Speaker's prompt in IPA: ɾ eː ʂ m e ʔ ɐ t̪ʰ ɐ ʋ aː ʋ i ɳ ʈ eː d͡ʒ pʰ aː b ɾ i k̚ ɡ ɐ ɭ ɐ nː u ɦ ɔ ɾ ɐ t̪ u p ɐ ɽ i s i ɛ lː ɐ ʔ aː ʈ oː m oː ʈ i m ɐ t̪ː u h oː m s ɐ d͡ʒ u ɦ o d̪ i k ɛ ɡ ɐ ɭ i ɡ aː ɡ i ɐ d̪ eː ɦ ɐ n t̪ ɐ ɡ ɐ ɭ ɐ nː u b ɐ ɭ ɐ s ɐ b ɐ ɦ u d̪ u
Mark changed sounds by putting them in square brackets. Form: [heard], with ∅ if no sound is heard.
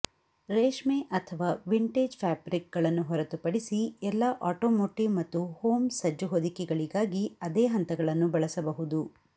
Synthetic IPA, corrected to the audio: ɾ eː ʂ m e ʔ ɐ t̪ʰ ɐ ʋ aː ʋ i ɳ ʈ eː d͡ʒ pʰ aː b ɾ i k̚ ɡ ɐ ɭ ɐ nː u ɦ ɔ ɾ ɐ t̪ u p ɐ ɽ i s i ɛ lː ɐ ʔ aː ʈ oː m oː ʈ i m ɐ t̪ː u h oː m s ɐ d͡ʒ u ɦ o d̪ i k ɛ ɡ ɐ ɭ i ɡ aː ɡ i ɐ d̪ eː ɦ ɐ n t̪ ɐ ɡ ɐ ɭ ɐ nː u b ɐ ɭ ɐ s ɐ b ɐ ɦ u d̪ u